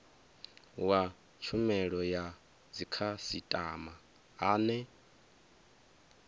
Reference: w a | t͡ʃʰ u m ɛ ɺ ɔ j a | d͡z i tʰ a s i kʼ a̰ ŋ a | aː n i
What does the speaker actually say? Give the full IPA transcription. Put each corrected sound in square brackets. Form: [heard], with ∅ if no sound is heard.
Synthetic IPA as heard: w a | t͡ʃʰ u m ɛ ɺ ɔ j a | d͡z i [kʰ] a s i [tʼ] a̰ [m] a | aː n [ɛ]